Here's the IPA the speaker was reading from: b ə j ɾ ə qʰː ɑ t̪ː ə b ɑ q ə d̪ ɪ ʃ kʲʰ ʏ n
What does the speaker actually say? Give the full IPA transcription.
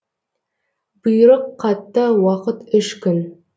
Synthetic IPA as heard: b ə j ɾ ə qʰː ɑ t̪ː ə w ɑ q ə t̪ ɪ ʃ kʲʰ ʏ n